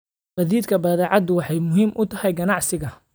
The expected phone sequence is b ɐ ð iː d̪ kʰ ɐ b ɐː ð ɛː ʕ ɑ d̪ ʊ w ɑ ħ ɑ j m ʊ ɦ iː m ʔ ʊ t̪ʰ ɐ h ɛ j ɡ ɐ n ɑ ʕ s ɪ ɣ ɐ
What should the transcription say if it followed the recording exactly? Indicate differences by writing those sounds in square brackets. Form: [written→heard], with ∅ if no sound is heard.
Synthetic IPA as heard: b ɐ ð iː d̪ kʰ ɐ b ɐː ð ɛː ʕ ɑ d̪ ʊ w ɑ ħ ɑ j m ʊ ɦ iː m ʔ ʊ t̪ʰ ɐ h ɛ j ɡ ɐ n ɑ ʕ s ɪ ɣ ɐ